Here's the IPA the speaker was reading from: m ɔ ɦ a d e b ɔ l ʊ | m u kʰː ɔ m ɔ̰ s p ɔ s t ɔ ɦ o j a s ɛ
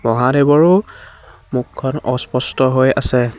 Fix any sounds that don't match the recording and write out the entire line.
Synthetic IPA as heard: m ɔ ɦ a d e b ɔ ɹ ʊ | m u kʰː ɔ n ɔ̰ s p ɔ s t ɔ ɦ o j a s ɛ